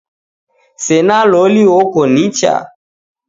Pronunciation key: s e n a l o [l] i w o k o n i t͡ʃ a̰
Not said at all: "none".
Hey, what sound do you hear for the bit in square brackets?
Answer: l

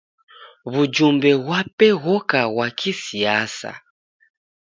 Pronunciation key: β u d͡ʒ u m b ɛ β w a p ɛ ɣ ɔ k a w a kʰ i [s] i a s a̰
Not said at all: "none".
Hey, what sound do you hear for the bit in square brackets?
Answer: s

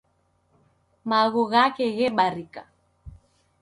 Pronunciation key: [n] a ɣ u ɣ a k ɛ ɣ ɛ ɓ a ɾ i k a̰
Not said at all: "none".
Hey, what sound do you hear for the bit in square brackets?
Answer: m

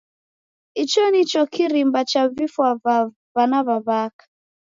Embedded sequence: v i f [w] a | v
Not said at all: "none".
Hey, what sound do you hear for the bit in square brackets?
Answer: w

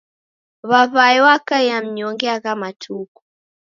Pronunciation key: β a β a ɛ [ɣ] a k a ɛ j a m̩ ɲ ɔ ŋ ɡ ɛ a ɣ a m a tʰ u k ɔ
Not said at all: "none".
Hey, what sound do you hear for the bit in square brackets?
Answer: w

